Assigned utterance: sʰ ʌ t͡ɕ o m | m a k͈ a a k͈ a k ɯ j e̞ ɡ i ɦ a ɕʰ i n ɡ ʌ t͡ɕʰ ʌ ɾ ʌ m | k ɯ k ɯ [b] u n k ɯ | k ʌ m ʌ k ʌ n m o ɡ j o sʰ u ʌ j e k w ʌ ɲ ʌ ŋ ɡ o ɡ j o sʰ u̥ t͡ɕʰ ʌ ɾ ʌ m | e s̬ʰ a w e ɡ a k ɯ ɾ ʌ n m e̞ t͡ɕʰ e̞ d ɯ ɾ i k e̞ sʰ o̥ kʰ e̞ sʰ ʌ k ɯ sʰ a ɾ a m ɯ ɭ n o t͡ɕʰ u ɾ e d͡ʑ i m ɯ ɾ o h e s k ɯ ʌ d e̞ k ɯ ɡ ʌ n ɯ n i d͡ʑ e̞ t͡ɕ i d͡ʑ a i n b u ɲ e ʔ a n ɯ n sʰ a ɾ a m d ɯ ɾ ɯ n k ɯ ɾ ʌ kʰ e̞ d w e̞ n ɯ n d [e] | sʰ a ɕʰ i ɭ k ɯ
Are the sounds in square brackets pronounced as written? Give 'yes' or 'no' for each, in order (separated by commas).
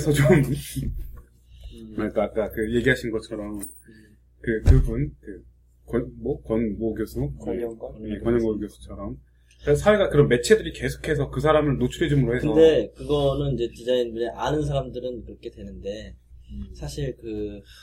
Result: yes, yes